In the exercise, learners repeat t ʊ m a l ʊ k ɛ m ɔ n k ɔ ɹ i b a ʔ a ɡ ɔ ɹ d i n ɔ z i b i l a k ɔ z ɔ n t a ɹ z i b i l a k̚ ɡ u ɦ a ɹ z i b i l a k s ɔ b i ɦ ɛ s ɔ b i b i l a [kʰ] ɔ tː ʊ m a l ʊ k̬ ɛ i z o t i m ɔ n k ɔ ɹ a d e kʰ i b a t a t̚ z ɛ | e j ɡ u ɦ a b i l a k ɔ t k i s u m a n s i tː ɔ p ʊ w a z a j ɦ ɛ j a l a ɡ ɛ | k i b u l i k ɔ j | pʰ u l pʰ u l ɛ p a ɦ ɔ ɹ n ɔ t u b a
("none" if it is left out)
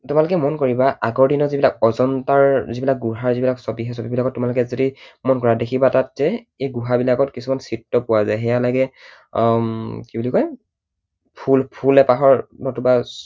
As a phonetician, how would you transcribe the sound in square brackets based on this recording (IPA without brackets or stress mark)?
k